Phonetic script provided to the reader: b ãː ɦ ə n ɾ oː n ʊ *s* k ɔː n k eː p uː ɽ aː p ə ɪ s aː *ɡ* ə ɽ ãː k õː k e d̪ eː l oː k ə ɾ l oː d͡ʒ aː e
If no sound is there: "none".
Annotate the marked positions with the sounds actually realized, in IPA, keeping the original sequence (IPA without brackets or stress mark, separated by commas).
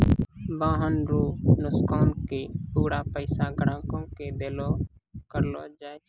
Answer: s, ɡ